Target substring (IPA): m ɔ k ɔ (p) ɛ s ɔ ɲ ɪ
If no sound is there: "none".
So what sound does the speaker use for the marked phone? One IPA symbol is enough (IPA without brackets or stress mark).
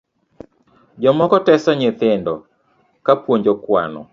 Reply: t